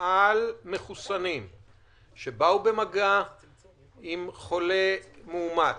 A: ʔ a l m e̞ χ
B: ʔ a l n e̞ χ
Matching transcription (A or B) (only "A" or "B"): A